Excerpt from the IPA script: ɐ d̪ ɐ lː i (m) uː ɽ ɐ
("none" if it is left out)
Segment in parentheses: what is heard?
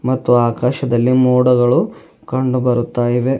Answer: m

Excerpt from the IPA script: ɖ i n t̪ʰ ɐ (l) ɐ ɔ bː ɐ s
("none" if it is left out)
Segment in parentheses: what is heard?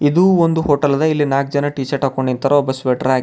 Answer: ɾ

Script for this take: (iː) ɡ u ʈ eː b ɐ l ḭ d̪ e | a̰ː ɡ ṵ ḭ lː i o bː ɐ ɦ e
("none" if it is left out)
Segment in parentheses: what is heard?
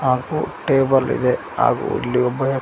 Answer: aː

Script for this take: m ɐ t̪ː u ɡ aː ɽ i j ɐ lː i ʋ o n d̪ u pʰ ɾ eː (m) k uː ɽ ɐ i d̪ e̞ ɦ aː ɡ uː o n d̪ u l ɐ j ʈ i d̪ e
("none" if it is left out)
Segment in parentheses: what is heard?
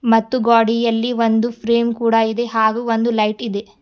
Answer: m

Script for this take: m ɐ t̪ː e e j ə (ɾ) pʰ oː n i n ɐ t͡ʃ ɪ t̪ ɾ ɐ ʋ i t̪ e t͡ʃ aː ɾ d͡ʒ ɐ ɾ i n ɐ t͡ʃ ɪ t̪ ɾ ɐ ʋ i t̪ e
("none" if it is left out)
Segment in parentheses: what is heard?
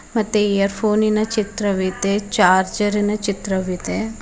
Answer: ɾ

